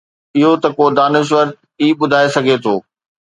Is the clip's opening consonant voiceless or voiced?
voiced